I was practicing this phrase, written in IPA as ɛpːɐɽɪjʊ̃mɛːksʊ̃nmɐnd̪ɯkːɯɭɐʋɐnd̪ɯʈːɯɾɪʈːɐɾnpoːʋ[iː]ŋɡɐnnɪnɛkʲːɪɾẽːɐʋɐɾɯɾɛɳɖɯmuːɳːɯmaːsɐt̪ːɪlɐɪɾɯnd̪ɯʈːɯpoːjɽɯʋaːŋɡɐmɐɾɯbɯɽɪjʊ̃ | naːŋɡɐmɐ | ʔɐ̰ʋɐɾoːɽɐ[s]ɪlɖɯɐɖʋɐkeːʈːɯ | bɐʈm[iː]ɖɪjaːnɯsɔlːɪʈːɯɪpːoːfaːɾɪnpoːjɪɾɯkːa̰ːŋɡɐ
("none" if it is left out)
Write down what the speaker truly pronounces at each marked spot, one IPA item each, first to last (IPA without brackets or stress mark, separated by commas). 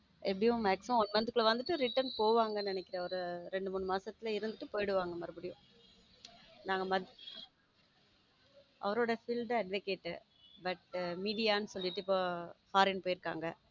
aː, f, iː